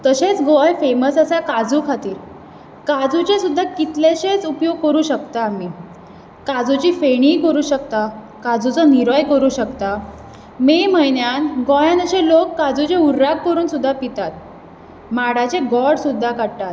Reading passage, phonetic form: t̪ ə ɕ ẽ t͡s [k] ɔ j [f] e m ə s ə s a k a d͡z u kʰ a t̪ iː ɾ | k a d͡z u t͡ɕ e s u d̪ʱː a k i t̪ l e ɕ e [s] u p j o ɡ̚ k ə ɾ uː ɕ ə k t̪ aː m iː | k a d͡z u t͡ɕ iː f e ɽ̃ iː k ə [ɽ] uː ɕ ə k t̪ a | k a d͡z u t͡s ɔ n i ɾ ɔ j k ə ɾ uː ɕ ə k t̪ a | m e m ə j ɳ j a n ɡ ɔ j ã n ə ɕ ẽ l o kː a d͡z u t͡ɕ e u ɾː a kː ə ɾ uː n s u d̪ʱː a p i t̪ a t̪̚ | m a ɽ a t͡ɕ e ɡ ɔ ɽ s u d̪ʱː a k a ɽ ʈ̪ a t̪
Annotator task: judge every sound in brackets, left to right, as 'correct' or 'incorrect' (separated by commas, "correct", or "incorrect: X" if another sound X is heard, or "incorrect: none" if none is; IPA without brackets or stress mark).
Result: incorrect: ɡ, correct, incorrect: t͡s, incorrect: ɾ